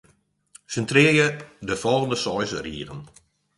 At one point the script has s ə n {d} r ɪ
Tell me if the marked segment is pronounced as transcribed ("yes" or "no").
no